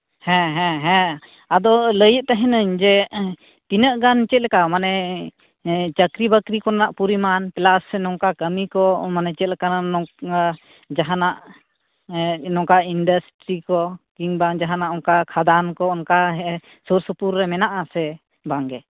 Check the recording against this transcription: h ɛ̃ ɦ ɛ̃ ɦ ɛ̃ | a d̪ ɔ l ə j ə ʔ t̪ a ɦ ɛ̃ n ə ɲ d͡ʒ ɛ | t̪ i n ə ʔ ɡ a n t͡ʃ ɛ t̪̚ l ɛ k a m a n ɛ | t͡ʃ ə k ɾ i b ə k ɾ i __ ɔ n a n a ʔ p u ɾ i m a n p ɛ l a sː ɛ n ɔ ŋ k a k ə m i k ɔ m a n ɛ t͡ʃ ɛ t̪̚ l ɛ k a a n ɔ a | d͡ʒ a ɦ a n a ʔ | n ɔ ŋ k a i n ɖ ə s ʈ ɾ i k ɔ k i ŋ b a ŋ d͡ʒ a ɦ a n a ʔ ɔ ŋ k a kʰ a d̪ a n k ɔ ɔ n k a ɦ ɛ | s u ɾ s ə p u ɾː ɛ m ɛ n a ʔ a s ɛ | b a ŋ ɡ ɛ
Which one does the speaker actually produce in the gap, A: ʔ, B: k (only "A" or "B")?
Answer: B